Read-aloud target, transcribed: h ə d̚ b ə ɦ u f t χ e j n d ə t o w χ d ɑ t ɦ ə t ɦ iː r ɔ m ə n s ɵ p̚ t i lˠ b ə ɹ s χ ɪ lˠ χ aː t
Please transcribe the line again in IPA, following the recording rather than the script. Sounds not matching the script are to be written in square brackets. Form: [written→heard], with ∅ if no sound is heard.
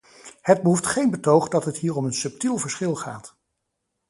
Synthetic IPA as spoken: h ə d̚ b ə ɦ u f t χ e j n [d→b] ə t o w χ d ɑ t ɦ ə t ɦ iː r ɔ m ə n s ɵ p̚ t i lˠ [b→v] ə ɹ s χ ɪ lˠ χ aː t